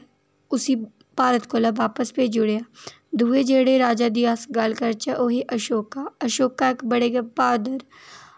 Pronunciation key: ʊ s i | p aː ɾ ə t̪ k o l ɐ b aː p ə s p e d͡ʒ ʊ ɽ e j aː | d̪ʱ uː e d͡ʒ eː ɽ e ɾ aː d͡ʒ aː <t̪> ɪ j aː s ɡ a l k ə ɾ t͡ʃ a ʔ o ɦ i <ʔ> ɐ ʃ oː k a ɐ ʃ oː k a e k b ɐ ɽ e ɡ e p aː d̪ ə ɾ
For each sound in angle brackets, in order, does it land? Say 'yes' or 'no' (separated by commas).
no, yes